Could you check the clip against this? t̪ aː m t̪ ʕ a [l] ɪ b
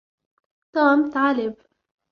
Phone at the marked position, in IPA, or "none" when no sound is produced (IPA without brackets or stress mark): l